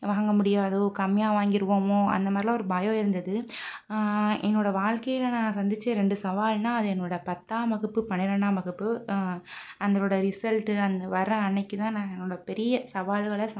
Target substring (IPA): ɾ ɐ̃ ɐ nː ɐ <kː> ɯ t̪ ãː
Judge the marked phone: correct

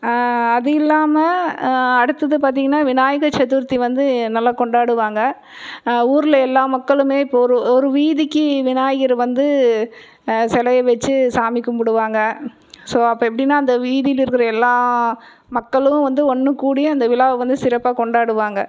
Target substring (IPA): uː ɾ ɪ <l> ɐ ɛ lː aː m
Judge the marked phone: correct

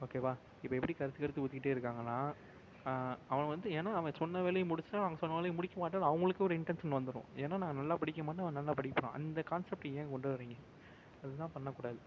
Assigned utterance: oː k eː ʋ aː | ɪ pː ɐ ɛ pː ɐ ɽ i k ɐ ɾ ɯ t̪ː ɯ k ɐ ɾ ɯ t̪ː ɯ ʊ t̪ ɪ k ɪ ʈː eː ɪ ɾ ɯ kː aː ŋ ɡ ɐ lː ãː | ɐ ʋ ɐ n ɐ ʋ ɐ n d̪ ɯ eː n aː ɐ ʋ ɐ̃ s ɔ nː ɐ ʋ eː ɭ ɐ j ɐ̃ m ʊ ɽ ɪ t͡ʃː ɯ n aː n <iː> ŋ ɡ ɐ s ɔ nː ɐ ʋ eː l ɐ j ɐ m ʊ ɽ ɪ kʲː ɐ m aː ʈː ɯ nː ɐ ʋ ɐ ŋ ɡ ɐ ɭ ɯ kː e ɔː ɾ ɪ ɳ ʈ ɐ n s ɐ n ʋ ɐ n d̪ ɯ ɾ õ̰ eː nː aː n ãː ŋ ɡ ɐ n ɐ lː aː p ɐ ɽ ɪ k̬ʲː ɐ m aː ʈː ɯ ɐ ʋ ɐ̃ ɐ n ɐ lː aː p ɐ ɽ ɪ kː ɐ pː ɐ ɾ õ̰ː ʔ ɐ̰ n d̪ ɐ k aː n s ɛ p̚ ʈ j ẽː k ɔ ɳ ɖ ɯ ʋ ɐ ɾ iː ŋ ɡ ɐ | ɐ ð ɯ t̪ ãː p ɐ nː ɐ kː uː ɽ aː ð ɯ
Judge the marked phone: incorrect: aː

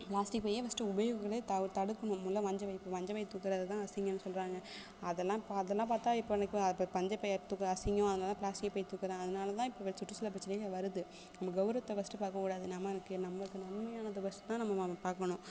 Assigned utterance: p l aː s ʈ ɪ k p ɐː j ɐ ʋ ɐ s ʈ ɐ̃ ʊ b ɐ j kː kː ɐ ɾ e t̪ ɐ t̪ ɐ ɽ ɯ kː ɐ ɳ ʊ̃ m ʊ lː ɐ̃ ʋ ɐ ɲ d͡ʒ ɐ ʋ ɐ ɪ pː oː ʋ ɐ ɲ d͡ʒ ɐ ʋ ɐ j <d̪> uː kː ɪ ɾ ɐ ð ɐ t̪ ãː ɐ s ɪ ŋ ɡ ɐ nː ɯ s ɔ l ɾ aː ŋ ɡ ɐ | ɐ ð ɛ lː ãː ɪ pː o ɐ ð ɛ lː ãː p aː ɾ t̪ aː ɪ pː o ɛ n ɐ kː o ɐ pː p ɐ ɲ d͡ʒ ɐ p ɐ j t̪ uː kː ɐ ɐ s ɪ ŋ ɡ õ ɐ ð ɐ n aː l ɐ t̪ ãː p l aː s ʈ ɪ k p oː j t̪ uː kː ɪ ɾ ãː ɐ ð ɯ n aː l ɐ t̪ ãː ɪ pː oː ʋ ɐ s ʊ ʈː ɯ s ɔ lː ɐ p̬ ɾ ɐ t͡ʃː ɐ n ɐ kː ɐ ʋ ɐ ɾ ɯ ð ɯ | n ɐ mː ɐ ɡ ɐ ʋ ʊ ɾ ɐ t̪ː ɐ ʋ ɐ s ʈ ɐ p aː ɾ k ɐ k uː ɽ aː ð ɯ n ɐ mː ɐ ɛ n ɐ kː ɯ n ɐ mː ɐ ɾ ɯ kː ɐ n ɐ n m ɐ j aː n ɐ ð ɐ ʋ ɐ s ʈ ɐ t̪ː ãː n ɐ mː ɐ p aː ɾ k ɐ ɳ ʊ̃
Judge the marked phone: incorrect: t̪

